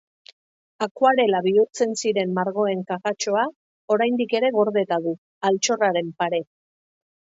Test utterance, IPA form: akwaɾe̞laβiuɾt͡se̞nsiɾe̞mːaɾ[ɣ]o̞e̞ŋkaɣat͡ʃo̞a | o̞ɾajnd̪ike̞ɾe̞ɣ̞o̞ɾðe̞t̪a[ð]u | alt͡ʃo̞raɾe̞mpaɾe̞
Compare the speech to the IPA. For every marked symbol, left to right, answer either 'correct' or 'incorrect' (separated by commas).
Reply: correct, correct